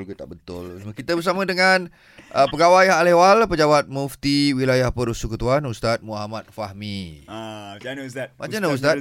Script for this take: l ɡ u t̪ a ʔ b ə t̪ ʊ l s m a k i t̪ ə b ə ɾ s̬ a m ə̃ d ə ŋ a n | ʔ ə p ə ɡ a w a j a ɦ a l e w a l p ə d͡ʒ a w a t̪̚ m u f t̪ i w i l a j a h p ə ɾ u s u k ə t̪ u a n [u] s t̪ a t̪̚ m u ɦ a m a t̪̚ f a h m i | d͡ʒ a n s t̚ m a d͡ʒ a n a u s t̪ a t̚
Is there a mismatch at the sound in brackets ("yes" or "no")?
no